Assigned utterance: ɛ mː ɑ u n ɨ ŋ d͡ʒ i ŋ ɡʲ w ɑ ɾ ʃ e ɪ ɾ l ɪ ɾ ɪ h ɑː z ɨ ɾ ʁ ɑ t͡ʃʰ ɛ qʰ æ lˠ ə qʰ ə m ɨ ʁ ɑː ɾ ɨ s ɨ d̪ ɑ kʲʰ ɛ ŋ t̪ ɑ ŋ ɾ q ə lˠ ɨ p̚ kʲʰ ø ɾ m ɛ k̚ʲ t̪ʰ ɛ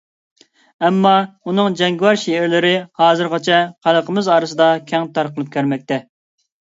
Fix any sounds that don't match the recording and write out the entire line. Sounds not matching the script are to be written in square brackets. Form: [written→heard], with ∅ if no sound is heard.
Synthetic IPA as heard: ɛ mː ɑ u n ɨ ŋ d͡ʒ [i→ɛ] ŋ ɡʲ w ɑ ɾ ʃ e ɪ ɾ l ɪ ɾ ɪ h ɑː z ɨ ɾ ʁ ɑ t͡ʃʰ ɛ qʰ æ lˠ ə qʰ ə m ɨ [ʁ→z] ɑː ɾ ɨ s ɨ d̪ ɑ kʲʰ ɛ ŋ t̪ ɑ [ŋ→∅] ɾ q ə lˠ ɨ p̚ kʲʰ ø ɾ m ɛ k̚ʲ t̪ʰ ɛ